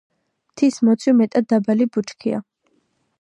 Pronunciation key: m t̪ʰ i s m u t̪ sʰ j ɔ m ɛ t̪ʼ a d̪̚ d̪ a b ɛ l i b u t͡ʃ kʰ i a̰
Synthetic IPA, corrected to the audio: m t̪ʰ i s m ɔ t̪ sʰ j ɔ m ɛ t̪ʼ a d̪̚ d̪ a b a l i b u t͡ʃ kʰ i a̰

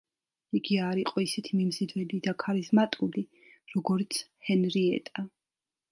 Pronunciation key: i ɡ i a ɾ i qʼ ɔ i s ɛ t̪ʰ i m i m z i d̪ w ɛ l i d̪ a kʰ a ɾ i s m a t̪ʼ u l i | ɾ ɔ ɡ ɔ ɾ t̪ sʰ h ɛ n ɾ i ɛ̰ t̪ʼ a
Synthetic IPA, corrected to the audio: i ɡ i a ɾ i qʼ ɔ i s ɛ t̪ʰ i m i m z i d̪ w ɛ l i d̪ a kʰ a ɾ i z m a t̪ʼ u l i | ɾ ɔ ɡ ɔ ɾ t̪ sʰ h ɛ n ɾ i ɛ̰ t̪ʼ a

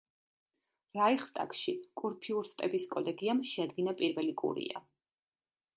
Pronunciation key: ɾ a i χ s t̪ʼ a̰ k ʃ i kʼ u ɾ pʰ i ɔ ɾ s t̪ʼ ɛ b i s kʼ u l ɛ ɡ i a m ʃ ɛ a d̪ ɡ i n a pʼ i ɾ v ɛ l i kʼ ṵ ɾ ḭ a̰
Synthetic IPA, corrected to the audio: ɾ a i χ s t̪ʼ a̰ k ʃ i kʼ u ɾ pʰ i u ɾ s t̪ʼ ɛ b i s kʼ ɔ l ɛ ɡ i a m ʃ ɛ a d̪ ɡ i n a pʼ i ɾ v ɛ l i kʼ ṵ ɾ ḭ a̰

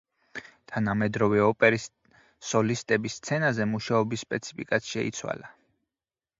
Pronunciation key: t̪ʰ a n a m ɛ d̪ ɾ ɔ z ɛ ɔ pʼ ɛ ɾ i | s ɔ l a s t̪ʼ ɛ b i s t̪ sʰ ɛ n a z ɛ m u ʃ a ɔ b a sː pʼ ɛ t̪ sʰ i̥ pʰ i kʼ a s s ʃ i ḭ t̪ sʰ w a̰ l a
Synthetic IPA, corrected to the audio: t̪ʰ a n a m ɛ d̪ ɾ ɔ v ɛ ɔ pʼ ɛ ɾ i | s ɔ l i s t̪ʼ ɛ b i s t̪ sʰ ɛ n a z ɛ m u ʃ a ɔ b i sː pʼ ɛ t̪ sʰ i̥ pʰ i kʼ a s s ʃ ɛ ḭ t̪ sʰ w a̰ l a

